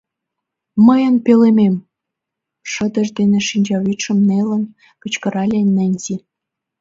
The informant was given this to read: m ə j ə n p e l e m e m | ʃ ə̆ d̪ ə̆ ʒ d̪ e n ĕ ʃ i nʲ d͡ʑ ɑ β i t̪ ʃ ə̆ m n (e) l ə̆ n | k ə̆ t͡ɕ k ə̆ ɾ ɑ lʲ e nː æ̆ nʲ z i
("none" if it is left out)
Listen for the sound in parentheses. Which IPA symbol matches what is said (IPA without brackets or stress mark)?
e